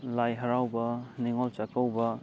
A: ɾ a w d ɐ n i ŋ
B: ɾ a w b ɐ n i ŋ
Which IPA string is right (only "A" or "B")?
B